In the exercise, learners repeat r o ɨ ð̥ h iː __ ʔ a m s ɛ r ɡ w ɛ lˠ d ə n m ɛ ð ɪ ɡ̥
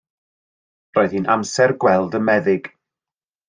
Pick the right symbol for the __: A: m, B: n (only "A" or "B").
B